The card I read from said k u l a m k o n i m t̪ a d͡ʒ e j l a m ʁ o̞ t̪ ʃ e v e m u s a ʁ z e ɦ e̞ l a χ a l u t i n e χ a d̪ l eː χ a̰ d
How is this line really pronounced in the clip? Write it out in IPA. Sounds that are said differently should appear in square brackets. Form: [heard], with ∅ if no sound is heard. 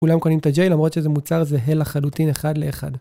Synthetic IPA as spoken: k u l a m k o n i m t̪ a d͡ʒ e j l a m ʁ o̞ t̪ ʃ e [z] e m u [t͡s] a ʁ z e ɦ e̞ l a χ a l u t i n e χ a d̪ l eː χ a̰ d